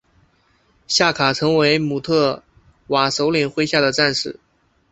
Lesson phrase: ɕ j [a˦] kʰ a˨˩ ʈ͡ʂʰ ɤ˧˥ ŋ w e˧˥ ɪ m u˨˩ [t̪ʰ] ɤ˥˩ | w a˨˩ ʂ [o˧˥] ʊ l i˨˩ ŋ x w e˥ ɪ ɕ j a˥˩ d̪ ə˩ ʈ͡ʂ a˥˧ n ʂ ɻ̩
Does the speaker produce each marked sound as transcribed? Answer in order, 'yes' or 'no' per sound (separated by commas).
no, yes, yes